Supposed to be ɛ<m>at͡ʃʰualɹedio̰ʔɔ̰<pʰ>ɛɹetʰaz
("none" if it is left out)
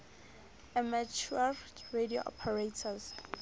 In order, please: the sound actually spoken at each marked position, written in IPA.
m, pʰ

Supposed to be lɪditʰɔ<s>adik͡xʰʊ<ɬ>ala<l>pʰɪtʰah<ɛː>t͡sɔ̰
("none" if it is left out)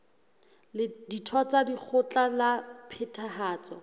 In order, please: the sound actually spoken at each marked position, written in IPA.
t͡s, t͡ɬ, none, aː

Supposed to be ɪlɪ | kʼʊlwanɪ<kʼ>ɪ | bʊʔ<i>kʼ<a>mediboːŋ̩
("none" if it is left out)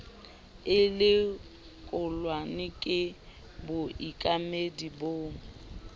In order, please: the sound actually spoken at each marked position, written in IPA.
kʼ, i, a

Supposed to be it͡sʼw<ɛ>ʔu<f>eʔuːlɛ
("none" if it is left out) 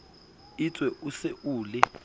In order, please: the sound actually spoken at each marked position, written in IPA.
ɛ, s

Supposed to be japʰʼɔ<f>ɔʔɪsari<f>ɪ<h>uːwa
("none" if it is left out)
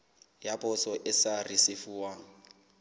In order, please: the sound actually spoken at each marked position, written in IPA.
s, s, f

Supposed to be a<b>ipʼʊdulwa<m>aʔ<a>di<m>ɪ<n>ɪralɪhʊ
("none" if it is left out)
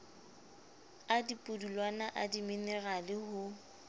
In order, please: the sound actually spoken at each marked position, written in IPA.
d, n, a, m, n

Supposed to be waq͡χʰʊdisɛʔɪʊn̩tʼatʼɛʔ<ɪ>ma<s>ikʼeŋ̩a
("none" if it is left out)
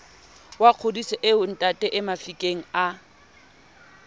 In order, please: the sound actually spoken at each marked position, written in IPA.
ɪ, f

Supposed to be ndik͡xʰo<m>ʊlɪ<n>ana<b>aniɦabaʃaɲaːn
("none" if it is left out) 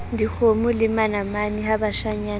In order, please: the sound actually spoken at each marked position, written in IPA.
m, m, m

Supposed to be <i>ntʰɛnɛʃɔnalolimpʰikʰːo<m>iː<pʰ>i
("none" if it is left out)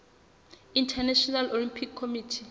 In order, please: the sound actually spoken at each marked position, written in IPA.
i, m, tʰ

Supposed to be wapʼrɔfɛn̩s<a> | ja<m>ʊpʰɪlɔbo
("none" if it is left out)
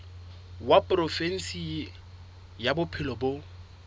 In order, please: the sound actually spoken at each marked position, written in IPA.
i, b

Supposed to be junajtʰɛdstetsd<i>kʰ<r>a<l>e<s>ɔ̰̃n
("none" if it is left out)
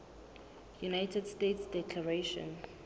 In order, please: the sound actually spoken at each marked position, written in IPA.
ɛ, l, ɹ, ʃ

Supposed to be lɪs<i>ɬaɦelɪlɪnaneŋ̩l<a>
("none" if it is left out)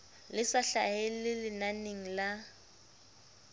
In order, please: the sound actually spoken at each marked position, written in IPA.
a, a

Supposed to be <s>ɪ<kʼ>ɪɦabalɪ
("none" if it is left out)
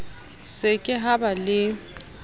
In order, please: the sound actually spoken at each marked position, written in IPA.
s, kʼ

